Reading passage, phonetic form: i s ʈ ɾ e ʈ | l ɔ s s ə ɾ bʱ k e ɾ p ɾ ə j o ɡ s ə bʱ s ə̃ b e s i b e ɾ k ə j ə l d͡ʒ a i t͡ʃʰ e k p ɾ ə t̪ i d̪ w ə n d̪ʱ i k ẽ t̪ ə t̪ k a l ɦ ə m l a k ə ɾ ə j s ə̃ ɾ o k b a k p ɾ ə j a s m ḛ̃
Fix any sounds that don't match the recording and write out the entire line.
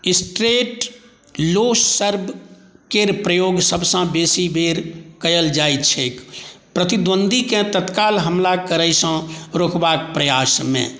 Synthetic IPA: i s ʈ ɾ e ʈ | l o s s ə ɾ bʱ k e ɾ p ɾ ə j o ɡ s ə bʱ s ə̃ b e s i b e ɾ k ə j ə l d͡ʒ a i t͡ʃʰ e k p ɾ ə t̪ i d̪ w ə n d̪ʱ i k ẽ t̪ ə t̪ k a l ɦ ə m l a k ə ɾ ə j s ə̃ ɾ o k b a k p ɾ ə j a s m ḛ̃

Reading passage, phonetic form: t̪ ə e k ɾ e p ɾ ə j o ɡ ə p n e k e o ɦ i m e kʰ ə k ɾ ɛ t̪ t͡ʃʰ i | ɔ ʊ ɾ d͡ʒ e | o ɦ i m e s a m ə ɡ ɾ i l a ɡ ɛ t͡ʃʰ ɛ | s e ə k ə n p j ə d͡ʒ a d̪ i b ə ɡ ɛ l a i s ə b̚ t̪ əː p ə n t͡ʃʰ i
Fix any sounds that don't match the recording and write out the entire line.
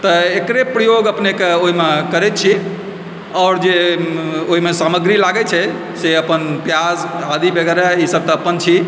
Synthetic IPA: t̪ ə e k ɾ e p ɾ ə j o ɡ ə p n e k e o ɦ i m e k ə ɾ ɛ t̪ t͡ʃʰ i | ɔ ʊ ɾ d͡ʒ e | o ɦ i m e s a m ə ɡ ɾ i l a ɡ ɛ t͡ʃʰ ɛ | s e ə p ə n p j a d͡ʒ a d̪ i b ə ɡ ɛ ɾ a i s ə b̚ t̪ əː p ə n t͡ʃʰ i

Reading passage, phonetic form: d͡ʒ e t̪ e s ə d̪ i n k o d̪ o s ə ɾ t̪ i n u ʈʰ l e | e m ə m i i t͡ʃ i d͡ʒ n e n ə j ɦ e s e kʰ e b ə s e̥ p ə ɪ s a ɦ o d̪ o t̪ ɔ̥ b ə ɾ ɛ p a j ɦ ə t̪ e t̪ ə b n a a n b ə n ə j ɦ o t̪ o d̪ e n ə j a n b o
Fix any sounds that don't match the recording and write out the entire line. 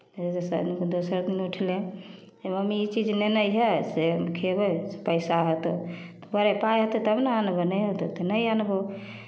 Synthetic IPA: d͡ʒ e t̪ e s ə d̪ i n k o d̪ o s ə ɾ d̪ i n u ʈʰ l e | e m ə m i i t͡ʃ i d͡ʒ n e n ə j ɦ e s e kʰ e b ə s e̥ p ə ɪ s a ɦ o t̪ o t̪ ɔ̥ b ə ɾ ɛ p a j ɦ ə t̪ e t̪ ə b n a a n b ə n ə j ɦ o t̪ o t̪ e n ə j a n b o

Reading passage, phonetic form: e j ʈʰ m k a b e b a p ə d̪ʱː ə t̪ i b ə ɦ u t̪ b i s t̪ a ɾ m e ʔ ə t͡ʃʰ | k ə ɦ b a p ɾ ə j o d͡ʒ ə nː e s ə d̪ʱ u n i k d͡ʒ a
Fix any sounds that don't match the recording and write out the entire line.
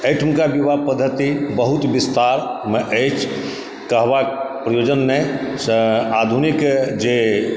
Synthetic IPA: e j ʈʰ m k a b i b a p ə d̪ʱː ə t̪ i b ə ɦ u t̪ b i s t̪ a ɾ m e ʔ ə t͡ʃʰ | k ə ɦ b a p ɾ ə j o d͡ʒ ə nː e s a d̪ʱ u n i k d͡ʒ e

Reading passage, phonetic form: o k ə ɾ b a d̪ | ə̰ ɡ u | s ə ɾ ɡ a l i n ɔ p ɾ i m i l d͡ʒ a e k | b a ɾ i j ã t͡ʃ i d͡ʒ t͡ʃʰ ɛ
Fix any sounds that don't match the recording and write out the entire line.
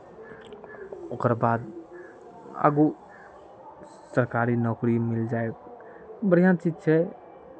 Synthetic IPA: o k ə ɾ b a d̪ | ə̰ ɡ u | s ə ɾ k a ɾ i n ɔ k ɾ i m i l d͡ʒ a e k | b ə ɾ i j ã t͡ʃ i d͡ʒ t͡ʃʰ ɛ

